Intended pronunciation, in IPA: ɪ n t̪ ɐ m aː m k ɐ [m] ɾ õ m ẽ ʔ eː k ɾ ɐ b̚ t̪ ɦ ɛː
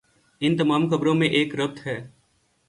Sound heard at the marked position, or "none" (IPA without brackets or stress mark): b